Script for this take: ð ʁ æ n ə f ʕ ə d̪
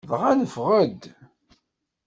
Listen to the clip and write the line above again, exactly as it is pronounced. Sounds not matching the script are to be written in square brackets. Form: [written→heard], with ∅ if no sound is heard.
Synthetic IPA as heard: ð ʁ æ n ə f [ʕ→ʁ] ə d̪